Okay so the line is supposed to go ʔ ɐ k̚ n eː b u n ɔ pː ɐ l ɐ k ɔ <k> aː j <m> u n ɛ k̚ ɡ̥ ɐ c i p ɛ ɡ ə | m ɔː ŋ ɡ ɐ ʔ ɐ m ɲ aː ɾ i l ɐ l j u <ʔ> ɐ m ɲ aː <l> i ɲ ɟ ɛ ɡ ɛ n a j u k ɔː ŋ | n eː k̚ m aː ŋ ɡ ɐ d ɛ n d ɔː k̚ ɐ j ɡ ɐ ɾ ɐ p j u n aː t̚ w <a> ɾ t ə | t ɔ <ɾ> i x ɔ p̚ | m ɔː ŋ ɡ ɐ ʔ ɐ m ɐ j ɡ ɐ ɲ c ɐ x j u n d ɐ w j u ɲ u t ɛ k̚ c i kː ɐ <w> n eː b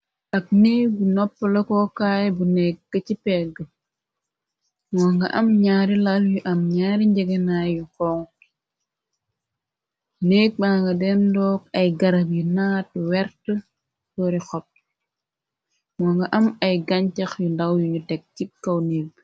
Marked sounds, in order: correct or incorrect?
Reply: correct, incorrect, correct, incorrect, incorrect, correct, correct

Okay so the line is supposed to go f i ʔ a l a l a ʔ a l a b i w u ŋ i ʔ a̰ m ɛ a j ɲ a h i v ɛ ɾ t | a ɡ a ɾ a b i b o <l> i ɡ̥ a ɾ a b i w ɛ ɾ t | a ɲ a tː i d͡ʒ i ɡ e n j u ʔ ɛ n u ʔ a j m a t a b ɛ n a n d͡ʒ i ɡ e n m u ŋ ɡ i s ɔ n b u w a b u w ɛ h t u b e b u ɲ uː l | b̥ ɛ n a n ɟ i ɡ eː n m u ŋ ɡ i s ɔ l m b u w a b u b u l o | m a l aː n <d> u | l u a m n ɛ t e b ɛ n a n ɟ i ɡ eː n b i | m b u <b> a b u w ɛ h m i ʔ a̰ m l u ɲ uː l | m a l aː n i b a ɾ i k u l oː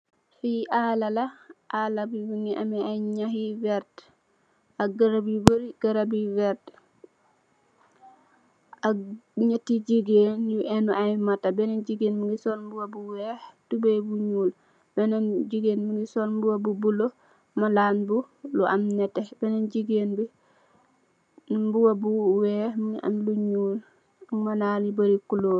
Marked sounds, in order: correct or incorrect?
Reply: incorrect, incorrect, incorrect

